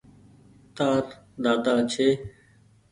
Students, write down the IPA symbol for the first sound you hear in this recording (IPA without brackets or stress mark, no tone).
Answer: t̪